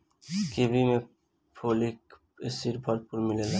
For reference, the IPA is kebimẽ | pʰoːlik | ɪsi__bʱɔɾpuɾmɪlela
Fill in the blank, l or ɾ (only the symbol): ɾ